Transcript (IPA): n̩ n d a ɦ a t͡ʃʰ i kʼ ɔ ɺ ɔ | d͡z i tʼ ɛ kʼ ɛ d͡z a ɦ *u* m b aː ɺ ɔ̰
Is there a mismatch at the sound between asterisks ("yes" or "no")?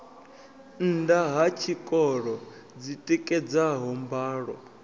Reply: yes